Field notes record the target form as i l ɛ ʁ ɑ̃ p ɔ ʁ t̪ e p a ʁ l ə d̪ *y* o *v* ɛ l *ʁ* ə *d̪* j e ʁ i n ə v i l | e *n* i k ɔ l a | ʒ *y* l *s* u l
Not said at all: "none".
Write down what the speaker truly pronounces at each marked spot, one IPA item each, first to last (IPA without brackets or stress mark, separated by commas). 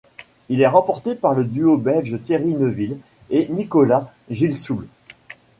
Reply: y, b, ʒ, t̪, n, i, s